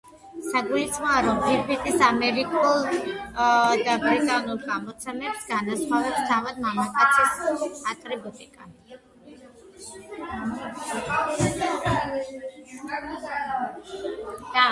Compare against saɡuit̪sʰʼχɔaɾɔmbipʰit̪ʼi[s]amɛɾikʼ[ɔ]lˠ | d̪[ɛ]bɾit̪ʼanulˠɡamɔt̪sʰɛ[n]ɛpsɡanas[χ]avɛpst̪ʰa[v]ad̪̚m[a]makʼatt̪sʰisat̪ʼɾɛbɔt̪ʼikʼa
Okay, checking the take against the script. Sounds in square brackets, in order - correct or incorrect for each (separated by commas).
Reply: correct, incorrect, incorrect, incorrect, correct, correct, correct